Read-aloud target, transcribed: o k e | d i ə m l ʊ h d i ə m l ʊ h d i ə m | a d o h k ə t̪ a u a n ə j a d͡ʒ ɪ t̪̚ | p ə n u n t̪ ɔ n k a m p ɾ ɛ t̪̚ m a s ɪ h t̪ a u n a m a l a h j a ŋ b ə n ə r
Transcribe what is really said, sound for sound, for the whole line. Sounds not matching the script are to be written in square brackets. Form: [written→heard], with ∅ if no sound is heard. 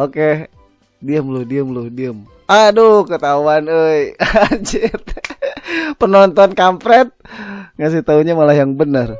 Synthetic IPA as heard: o k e | d i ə m l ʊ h d i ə m l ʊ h d i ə m | a d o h k ə t̪ a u a n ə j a d͡ʒ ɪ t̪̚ | p ə n [u→ɔ] n t̪ ɔ n k a m p ɾ ɛ t̪̚ [m→ŋ] a s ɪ h t̪ a u [n→ɲ] a m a l a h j a ŋ b ə n ə r

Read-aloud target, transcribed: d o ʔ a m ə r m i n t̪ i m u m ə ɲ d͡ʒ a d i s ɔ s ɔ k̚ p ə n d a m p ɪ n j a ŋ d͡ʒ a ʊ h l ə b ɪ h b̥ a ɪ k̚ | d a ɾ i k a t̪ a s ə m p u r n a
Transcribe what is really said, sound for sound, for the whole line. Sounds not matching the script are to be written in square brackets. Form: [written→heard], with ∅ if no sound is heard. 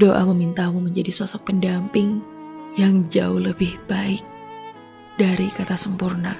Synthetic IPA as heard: d o ʔ a m ə [r→∅] m i n t̪ [i→a] m u m ə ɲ d͡ʒ a d i s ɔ s ɔ k̚ p ə n d a m p ɪ [n→ŋ] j a ŋ d͡ʒ a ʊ h l ə b ɪ h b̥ a ɪ k̚ | d a ɾ i k a t̪ a s ə m p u r n a

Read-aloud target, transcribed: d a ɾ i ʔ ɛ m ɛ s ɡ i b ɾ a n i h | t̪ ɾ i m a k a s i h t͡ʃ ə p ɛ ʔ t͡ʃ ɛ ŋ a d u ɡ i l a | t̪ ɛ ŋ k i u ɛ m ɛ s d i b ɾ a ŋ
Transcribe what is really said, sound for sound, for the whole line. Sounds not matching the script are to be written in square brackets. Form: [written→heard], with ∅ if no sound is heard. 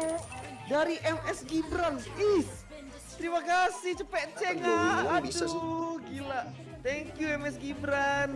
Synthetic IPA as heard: d a ɾ i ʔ ɛ m ɛ s ɡ i b ɾ a n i [h→s] | t̪ ɾ i m a k a s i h t͡ʃ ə p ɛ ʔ t͡ʃ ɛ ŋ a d u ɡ i l a | t̪ ɛ ŋ k [i→j] u ɛ m ɛ s [d→ɡ] i b ɾ a [ŋ→n]

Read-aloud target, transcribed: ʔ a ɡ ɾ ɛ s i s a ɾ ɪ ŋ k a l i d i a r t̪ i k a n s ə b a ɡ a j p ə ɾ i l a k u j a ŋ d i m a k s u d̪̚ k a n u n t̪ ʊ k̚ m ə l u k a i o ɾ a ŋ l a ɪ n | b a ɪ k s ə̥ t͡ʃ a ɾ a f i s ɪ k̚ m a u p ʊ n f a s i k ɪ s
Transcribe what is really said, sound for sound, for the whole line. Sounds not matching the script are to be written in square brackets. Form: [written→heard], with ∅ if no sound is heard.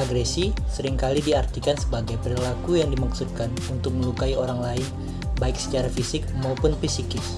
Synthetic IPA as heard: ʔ a ɡ ɾ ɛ s i s [a→ə] ɾ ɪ ŋ k a l i d i a r t̪ i k a n s ə b a ɡ a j p ə ɾ i l a k u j a ŋ d i m a k s u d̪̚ k a n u n t̪ ʊ k̚ m ə l u k a i o ɾ a ŋ l a ɪ n | b a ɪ k s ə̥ t͡ʃ a ɾ a f i s ɪ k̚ m a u p ʊ n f [a→i] s i k ɪ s

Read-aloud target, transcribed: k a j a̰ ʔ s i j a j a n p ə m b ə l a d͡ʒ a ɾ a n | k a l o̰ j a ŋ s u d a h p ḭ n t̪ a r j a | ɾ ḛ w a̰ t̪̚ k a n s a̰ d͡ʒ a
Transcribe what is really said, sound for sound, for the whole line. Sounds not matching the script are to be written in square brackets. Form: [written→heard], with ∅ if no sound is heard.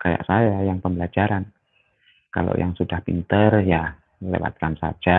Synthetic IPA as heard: k a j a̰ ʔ s [i→a] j a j a [n→ŋ] p ə m b ə l a d͡ʒ a ɾ a n | k a l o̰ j a ŋ s u d a h p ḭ n t̪ [a→ə] r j a | [ɾ→l] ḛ w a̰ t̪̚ k a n s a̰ d͡ʒ a

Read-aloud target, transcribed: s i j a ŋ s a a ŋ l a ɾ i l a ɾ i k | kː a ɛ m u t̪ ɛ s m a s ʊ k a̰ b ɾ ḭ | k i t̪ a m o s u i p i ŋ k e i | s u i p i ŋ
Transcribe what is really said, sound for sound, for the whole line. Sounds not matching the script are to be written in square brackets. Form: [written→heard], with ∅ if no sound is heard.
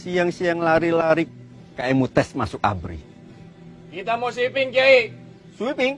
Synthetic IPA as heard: s i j a ŋ s [a→i] a ŋ l a ɾ i l a ɾ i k | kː a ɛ m u t̪ ɛ s m a s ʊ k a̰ b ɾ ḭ | k i t̪ a m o s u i p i ŋ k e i | s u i p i ŋ

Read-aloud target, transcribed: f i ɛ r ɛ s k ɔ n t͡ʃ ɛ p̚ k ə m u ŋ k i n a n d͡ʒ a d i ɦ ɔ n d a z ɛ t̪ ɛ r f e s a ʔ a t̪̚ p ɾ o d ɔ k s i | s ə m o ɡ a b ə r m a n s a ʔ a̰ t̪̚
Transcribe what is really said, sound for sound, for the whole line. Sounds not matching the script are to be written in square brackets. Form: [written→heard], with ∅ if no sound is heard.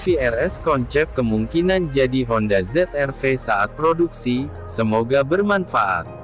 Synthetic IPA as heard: f i ɛ r ɛ s k ɔ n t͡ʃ ɛ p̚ k ə m u ŋ k i n a n d͡ʒ a d i ɦ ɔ n d a z ɛ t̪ ɛ r f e s a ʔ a t̪̚ p ɾ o d [ɔ→u] k s i | s ə m o ɡ a b ə r m a n [s→f] a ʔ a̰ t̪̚

